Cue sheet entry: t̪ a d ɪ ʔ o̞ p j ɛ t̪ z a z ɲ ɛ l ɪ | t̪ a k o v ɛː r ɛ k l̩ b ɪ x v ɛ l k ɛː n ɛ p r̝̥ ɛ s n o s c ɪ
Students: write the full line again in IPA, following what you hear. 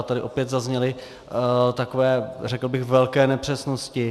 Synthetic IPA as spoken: t̪ a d ɪ ʔ o̞ p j ɛ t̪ z a z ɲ ɛ l ɪ | t̪ a k o v ɛː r ɛ k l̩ b ɪ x v ɛ l k ɛː n ɛ p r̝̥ ɛ s n o s c ɪ